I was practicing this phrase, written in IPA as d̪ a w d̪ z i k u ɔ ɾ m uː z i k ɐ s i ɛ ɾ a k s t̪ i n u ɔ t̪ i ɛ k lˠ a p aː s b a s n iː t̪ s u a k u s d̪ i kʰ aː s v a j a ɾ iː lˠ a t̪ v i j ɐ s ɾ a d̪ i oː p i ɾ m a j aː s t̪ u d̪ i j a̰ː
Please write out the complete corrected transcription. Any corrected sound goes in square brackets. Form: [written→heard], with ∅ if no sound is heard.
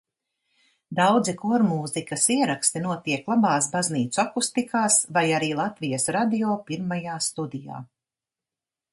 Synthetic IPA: d̪ a w d̪ z i k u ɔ ɾ m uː z i k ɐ s i ɛ ɾ a k s t̪ i n u ɔ t̪ i ɛ k lˠ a [p→b] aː s b a [s→z] n iː t̪ s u a k u s [d̪→t̪] i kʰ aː s v a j a ɾ iː lˠ a t̪ v i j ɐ s ɾ a d̪ i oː p i ɾ m a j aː s t̪ u d̪ i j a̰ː